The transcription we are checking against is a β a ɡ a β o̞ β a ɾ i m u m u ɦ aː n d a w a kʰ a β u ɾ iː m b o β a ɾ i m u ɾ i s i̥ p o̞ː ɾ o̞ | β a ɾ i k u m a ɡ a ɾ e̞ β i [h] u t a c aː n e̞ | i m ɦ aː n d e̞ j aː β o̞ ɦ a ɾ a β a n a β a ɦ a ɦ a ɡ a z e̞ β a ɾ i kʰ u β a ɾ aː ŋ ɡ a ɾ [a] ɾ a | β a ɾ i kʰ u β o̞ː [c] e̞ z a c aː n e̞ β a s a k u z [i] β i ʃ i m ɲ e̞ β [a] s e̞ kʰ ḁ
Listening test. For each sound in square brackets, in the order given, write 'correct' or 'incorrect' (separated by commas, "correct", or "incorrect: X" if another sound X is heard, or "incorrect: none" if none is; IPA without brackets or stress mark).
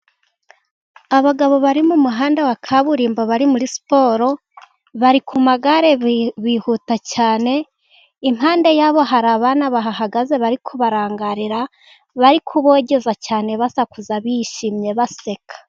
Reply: correct, incorrect: i, incorrect: ɟ, incorrect: a, correct